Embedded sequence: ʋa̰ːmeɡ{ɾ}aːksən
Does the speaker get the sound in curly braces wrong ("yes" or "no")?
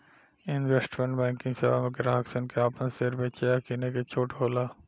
no